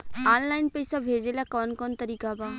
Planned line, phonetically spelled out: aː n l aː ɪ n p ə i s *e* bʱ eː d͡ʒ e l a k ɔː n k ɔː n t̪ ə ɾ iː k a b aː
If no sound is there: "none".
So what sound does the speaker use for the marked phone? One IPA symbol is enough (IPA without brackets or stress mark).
a